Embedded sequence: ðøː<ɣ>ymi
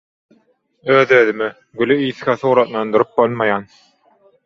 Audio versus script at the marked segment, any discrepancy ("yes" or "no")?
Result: yes